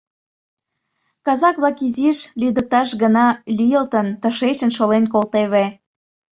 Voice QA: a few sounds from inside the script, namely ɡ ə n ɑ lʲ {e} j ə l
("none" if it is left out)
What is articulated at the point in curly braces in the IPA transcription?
i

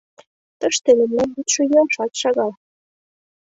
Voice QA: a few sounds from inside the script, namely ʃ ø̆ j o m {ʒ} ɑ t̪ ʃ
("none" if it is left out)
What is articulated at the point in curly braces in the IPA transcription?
ʃ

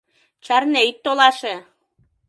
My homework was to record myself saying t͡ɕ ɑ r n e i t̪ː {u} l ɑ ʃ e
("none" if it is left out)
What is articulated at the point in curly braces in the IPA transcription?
o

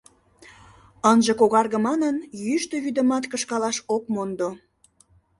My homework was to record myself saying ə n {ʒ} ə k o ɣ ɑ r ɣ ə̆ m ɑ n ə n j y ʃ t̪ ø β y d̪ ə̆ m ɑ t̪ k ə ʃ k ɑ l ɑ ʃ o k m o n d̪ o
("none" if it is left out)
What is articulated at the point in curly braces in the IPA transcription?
ʒ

